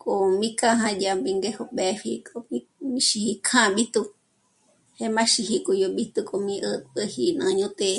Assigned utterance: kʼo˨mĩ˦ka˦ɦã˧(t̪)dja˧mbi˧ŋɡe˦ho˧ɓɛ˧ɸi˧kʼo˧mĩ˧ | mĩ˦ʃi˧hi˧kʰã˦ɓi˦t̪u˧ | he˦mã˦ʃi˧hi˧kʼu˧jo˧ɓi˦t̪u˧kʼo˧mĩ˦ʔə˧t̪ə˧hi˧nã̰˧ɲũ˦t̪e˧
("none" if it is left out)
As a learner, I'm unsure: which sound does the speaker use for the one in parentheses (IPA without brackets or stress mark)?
none